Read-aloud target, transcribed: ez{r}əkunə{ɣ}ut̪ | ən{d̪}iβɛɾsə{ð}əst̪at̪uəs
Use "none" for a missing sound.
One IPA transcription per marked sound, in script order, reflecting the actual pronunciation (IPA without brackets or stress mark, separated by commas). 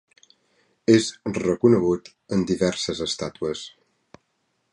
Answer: r, ɣ, d̪, z